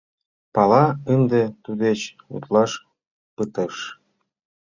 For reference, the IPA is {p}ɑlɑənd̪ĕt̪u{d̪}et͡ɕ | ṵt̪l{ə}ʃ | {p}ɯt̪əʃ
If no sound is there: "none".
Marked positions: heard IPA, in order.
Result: p, d̪, ɑ, p

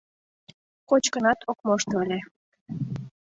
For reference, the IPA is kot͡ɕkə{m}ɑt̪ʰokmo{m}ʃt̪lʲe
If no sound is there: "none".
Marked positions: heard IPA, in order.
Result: n, none

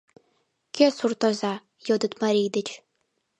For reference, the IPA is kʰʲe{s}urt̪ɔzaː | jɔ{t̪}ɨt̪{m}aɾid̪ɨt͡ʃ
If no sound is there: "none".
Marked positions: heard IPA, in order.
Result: s, d̪, m

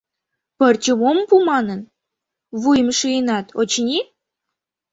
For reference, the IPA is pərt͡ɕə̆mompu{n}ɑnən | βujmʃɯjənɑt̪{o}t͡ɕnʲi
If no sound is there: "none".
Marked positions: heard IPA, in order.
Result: m, o

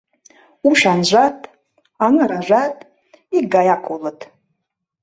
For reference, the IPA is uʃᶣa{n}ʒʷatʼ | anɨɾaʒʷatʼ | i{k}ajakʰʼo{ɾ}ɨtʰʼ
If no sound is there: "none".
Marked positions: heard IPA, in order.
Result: n, ɡ, l

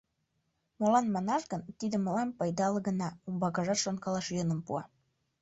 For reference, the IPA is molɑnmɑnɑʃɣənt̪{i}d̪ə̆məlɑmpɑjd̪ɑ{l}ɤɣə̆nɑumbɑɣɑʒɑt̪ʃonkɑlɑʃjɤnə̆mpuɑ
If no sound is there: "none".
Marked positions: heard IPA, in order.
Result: i, l

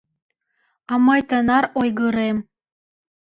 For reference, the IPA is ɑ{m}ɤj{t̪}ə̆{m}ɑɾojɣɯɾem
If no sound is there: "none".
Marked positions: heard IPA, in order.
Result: m, t̪, n

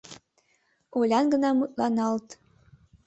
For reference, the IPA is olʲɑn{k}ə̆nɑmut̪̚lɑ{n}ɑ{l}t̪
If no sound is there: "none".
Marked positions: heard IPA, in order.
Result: ɡ, n, l

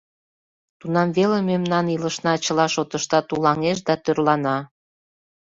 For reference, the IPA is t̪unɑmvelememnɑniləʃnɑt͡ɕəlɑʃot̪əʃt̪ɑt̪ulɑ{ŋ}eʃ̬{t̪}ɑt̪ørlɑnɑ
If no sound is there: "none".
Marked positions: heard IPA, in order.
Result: ŋ, d̪

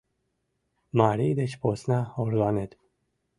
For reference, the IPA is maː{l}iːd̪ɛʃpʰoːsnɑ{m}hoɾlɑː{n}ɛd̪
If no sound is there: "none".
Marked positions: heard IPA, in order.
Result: ɾ, none, n

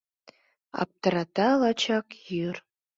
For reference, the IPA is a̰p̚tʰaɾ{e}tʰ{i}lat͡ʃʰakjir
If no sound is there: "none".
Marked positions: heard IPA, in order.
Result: a, a

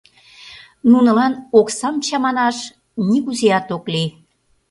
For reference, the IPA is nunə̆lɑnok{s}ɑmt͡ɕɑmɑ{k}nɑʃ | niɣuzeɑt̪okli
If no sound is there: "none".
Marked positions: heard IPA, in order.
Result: s, none

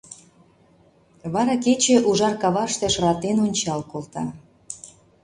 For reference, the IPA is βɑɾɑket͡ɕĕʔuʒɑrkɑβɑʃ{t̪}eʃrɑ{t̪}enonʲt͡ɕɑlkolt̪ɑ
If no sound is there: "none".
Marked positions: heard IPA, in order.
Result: t̪, t̪

